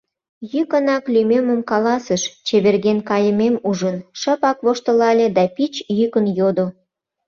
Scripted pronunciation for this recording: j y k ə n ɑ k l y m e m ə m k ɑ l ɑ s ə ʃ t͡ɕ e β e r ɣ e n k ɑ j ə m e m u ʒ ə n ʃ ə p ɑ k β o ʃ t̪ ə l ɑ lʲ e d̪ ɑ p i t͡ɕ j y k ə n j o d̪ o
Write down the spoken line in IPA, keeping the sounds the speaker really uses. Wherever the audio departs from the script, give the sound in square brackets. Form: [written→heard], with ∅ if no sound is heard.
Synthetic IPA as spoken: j y k ə n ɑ k l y m e m ə m k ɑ l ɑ s ə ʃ t͡ɕ e β e r ɣ e n k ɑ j ə m e m u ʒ ə n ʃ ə p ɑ k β o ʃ t̪ ə l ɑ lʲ e d̪ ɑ p i t͡ɕ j y k ə n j o d̪ o